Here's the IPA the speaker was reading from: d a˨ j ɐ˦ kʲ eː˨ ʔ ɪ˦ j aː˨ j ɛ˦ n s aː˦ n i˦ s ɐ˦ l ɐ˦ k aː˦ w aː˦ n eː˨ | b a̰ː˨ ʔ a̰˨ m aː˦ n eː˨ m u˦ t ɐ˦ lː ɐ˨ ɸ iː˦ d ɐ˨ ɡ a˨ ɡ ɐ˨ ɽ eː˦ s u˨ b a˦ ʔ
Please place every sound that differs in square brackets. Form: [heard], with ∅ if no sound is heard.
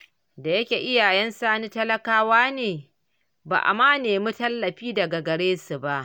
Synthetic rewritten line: d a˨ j ɐ˦ kʲ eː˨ ʔ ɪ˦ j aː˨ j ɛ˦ n s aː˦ n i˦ [t] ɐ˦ l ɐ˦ k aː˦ w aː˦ n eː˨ | b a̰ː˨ ʔ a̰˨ m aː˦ n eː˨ m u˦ t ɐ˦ lː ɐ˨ ɸ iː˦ d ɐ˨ ɡ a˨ ɡ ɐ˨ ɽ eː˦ s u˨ b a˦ ʔ